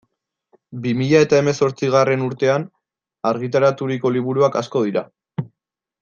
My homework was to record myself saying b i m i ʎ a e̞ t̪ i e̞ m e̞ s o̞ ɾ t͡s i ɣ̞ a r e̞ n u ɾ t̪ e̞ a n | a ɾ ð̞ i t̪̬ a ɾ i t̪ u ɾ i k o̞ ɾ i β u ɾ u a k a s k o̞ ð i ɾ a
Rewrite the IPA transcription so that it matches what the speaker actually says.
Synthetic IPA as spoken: b i m i ʎ a e̞ t̪ a e̞ m e̞ s o̞ ɾ t͡s i ɣ̞ a r e̞ n u ɾ t̪ e̞ a n | a ɾ ɣ̞ i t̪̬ a ɾ a t̪ u ɾ i k o̞ l i β u ɾ u a k a s k o̞ ð i ɾ a